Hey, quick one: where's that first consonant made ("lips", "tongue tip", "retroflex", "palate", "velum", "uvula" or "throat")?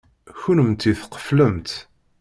palate